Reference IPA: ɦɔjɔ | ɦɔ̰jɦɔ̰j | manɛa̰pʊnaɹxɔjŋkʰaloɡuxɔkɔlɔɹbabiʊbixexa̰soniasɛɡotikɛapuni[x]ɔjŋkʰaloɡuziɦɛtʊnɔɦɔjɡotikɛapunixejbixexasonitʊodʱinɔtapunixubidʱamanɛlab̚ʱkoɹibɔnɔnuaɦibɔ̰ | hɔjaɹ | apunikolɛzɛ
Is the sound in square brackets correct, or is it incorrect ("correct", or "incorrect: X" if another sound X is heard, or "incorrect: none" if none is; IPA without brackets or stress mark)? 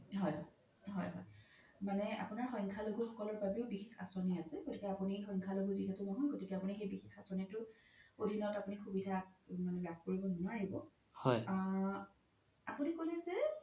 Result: correct